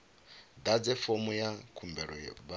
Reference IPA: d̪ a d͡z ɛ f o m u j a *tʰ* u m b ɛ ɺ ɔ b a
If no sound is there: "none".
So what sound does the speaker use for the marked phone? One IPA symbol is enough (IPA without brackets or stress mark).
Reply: kʰ